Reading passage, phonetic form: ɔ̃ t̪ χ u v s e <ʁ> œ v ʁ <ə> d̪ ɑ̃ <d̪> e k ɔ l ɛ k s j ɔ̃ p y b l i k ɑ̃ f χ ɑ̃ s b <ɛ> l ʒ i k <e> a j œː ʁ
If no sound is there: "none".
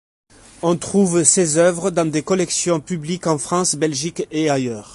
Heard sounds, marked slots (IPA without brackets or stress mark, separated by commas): z, ə, d̪, ɛ, e